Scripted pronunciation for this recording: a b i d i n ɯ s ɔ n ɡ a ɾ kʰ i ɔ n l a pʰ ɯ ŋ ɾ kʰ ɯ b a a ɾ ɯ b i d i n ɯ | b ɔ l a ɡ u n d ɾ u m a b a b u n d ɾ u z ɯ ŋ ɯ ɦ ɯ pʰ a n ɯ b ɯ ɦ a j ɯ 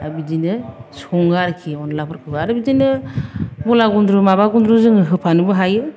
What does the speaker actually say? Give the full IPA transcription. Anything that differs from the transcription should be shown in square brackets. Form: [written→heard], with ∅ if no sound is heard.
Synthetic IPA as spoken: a b i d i n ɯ s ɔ [n→ŋ] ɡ a ɾ kʰ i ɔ n l a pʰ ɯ [ŋ→∅] ɾ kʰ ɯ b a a ɾ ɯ b i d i n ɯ | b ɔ l a ɡ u n d ɾ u m a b a [b→ɡ] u n d ɾ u z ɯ ŋ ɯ ɦ ɯ pʰ a n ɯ b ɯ ɦ a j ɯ